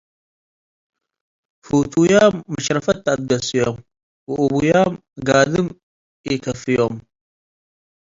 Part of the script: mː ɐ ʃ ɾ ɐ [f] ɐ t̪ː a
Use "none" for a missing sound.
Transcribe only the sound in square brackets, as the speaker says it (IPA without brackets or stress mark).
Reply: f